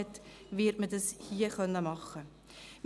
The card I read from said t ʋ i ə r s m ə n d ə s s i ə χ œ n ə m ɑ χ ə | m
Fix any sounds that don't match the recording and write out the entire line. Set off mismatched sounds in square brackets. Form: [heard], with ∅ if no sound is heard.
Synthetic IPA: t [v] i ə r [t] m ə [∅] d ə s [h] i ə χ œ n ə m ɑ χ ə | m